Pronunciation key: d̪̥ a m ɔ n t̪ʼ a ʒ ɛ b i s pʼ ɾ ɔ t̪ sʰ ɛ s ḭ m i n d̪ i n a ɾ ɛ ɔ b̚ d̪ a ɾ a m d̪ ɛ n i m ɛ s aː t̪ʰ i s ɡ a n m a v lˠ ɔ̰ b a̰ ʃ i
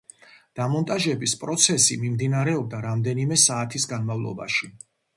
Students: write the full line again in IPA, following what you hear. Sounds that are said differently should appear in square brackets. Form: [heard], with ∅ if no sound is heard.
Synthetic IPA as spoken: d̪̥ a m ɔ n t̪ʼ a ʒ ɛ b i s pʼ ɾ ɔ t̪ sʰ ɛ s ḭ m i [m] d̪ i n a ɾ ɛ ɔ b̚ d̪ a ɾ a m d̪ ɛ n i m ɛ s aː t̪ʰ i s ɡ a n m a v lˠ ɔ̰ b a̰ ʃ i

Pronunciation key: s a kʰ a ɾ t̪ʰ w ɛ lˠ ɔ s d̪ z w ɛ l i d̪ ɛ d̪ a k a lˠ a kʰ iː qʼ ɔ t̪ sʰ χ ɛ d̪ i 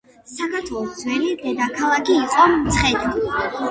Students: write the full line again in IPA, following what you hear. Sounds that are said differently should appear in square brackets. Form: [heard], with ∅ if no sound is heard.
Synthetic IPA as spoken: s a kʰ a ɾ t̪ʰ w ɛ lˠ ɔ s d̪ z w ɛ l i d̪ ɛ d̪ a [kʰ] a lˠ a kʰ iː qʼ ɔ t̪ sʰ χ ɛ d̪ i

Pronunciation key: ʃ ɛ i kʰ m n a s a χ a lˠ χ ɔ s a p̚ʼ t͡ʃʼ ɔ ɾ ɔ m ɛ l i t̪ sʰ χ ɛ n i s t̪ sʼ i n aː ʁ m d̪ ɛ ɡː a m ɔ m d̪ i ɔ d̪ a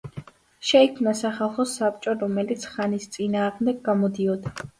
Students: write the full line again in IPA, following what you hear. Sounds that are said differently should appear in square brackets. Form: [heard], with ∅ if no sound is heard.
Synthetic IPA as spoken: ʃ ɛ i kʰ m n a s a χ a lˠ χ ɔ s a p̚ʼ t͡ʃʼ ɔ ɾ ɔ m ɛ l i t̪ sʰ χ [a] n i s t̪ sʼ i n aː ʁ m d̪ ɛ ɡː a m ɔ [∅] d̪ i ɔ d̪ a

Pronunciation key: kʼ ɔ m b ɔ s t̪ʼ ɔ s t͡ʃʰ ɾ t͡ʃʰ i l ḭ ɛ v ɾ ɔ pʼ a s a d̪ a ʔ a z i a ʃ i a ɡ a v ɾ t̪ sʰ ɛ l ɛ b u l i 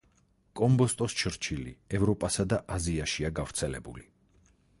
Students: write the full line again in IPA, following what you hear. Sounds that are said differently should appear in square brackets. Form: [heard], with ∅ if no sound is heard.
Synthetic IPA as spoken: kʼ ɔ m b ɔ s t̪ʼ ɔ s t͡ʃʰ ɾ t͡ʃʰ i l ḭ ɛ v ɾ ɔ pʼ a s a d̪ a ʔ a z i a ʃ i a ɡ a v ɾ t̪ sʰ ɛ l ɛ b u l i

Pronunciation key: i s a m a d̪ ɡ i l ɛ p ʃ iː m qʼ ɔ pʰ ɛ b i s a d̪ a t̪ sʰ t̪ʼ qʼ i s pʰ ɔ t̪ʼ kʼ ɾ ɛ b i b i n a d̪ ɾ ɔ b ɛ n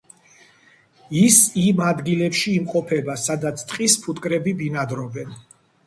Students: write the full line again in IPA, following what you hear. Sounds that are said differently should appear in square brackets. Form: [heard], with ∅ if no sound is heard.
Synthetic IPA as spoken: i s [i] m a d̪ ɡ i l ɛ p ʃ iː m qʼ ɔ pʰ ɛ b [a] s a d̪ a t̪ sʰ t̪ʼ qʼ i s pʰ [u] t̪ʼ kʼ ɾ ɛ b i b i n a d̪ ɾ ɔ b ɛ n

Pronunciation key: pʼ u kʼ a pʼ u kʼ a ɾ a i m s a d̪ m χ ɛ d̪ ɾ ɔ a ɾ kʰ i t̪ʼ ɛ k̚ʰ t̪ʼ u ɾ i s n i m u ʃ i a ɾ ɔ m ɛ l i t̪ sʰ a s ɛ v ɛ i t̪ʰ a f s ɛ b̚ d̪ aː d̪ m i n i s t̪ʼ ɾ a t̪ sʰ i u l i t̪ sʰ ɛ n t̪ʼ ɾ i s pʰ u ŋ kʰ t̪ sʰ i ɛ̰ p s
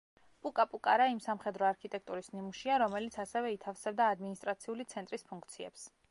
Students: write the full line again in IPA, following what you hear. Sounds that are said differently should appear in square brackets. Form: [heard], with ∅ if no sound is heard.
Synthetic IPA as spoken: pʼ u kʼ a pʼ u kʼ a ɾ a i m s a [∅] m χ ɛ d̪ ɾ ɔ a ɾ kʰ i t̪ʼ ɛ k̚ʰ t̪ʼ u ɾ i s n i m u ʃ i a ɾ ɔ m ɛ l i t̪ sʰ a s ɛ v ɛ i t̪ʰ a f s ɛ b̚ d̪ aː d̪ m i n i s t̪ʼ ɾ a t̪ sʰ i u l i t̪ sʰ ɛ n t̪ʼ ɾ i s pʰ u ŋ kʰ t̪ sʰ i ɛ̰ p s

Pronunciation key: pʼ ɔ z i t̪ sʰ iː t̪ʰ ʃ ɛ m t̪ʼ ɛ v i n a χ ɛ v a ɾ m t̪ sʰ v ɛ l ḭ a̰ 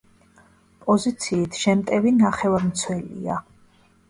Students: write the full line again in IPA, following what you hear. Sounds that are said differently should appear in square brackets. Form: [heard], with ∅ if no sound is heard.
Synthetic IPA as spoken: pʼ ɔ z i t̪ sʰ iː t̪ʰ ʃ ɛ m t̪ʼ ɛ v i n a χ ɛ v a ɾ m t̪ sʰ [w] ɛ l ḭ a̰

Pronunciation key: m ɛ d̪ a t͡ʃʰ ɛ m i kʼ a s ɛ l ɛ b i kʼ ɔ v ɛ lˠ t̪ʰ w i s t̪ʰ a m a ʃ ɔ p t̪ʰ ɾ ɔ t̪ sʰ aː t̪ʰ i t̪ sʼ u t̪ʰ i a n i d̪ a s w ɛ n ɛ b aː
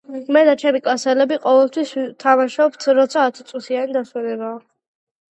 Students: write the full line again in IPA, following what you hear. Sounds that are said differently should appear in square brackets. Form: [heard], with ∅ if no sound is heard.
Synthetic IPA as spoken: m ɛ d̪ a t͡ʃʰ ɛ m i kʼ a s ɛ l ɛ b i [qʼ] ɔ v ɛ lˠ t̪ʰ w i s t̪ʰ a m a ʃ ɔ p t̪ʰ ɾ ɔ t̪ sʰ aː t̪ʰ i t̪ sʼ u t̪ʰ i a n i d̪ a s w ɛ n ɛ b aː

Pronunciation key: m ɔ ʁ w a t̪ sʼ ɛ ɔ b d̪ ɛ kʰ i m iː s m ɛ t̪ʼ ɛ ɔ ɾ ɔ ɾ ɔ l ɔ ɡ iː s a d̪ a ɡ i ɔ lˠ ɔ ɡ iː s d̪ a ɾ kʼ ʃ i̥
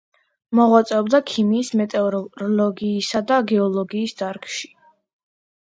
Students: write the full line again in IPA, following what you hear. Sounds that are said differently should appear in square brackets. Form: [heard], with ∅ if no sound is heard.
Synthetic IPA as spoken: m ɔ ʁ w a t̪ sʼ ɛ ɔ b d̪ [a] kʰ i m iː s m ɛ t̪ʼ ɛ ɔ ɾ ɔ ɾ ɔ l ɔ ɡ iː s a d̪ a ɡ [ɛ] ɔ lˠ ɔ ɡ iː s d̪ a ɾ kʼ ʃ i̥

